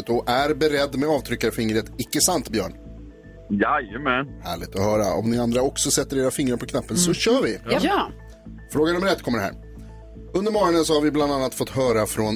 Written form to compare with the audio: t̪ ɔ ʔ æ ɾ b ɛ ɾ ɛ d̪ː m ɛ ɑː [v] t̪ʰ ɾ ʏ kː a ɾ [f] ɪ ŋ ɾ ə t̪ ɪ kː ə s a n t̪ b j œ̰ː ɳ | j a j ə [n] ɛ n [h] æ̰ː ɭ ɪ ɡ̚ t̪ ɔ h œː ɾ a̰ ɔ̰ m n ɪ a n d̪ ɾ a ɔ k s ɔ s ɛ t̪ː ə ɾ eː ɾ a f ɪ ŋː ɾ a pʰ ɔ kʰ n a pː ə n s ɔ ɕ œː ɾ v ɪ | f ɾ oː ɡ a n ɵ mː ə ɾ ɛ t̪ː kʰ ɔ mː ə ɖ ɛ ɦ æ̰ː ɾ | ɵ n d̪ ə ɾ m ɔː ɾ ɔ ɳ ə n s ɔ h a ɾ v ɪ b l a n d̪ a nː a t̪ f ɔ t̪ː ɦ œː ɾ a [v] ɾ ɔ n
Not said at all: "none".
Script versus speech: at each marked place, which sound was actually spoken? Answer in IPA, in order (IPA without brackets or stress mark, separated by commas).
v, f, m, h, f